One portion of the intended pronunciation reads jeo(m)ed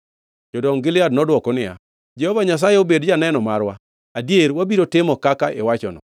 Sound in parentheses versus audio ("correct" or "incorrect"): incorrect